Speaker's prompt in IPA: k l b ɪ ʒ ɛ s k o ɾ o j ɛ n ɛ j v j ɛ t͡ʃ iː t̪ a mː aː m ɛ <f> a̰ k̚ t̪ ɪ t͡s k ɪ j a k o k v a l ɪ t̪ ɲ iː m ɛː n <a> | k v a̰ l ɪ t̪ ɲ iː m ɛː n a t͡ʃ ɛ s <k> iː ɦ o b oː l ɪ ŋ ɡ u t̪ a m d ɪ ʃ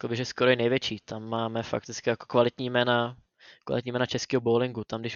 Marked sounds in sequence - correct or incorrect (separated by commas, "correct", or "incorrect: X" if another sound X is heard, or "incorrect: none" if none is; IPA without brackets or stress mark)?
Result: correct, correct, correct